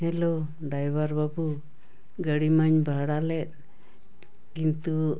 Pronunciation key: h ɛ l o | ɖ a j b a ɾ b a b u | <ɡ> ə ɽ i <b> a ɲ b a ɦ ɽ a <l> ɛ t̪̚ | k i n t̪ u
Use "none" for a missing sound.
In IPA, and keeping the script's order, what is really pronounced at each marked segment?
ɡ, m, l

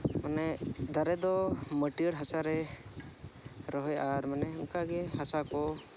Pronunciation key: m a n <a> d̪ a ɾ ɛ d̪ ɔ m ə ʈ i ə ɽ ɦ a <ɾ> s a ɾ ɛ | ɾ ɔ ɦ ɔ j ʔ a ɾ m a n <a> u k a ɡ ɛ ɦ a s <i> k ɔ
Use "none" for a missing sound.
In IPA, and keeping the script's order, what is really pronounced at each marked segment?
ɛ, none, ɛ, a

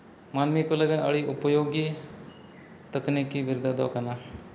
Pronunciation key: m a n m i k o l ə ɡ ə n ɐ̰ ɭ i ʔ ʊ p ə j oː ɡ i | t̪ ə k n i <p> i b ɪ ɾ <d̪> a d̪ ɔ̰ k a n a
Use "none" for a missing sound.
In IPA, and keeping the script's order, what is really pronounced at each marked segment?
k, d̪

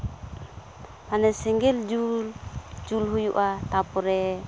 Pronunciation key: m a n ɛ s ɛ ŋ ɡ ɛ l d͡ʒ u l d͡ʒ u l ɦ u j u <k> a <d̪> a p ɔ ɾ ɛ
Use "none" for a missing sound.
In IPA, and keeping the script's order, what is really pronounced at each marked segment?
ʔ, t̪

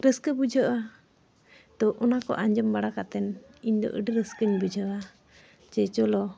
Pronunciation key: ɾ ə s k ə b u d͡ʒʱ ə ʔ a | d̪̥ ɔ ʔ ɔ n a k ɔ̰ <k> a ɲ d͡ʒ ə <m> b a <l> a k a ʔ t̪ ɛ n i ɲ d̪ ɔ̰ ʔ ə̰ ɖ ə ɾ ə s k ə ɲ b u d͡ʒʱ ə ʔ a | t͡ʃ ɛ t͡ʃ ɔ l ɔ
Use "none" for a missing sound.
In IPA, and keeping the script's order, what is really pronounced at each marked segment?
ʔ, m, ɽ

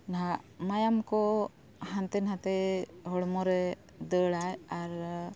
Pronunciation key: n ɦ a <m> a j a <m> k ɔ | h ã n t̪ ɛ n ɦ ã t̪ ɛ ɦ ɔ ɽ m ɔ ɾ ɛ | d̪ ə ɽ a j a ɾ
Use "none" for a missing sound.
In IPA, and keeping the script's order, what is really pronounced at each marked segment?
m, m

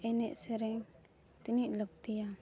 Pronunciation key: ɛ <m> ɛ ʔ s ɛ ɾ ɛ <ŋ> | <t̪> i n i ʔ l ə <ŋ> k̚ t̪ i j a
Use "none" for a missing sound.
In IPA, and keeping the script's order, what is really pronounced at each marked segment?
n, ŋ, t̪, none

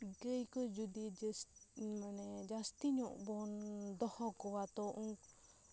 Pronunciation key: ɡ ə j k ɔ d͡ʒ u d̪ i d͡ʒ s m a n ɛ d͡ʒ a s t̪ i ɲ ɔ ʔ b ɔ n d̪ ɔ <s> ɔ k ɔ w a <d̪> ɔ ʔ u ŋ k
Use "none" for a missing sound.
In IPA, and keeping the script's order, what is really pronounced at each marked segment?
h, t̪

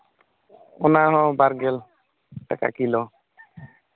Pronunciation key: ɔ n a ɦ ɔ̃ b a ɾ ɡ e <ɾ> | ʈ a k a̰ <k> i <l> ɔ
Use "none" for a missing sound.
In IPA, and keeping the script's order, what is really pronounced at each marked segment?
l, k, l

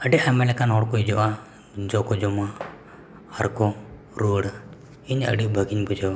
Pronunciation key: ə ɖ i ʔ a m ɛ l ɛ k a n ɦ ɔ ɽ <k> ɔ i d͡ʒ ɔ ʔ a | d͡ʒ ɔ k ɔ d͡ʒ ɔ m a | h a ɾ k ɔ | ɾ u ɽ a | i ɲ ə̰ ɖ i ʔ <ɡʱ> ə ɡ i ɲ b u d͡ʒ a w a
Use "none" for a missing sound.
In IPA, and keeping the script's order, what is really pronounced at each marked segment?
k, bʱ

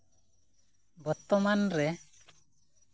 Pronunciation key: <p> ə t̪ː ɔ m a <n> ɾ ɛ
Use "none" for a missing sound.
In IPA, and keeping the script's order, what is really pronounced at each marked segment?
b, n

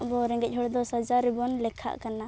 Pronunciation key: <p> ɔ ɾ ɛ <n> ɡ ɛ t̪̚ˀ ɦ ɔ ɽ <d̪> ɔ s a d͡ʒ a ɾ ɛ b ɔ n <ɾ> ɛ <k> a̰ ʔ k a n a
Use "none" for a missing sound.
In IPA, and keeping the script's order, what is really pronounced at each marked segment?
b, ŋ, d̪, l, kʰ

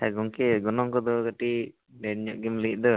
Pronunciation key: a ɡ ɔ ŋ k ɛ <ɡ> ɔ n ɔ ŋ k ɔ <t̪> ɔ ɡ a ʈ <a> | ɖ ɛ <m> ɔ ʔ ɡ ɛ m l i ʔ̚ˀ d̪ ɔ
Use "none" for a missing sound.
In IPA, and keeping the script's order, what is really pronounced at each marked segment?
ɡ, d̪, i, ɲ

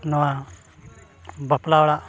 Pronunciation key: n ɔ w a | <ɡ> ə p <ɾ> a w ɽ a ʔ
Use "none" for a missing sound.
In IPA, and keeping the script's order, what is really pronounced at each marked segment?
b, l

